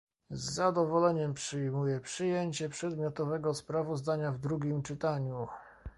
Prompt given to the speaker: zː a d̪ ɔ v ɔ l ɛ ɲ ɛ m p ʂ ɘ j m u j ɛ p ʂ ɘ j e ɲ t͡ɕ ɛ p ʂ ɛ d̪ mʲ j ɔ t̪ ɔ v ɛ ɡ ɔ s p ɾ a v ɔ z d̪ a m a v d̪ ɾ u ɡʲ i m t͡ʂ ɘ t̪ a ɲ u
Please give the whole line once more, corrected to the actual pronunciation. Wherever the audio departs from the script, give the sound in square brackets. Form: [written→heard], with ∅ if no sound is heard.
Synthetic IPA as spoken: zː a d̪ ɔ v ɔ l ɛ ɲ ɛ m p ʂ ɘ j m u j ɛ p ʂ ɘ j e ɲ t͡ɕ ɛ p ʂ ɛ d̪ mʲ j ɔ t̪ ɔ v ɛ ɡ ɔ s p ɾ a v ɔ z d̪ a [m→ɲ] a v d̪ ɾ u ɡʲ i m t͡ʂ ɘ t̪ a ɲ u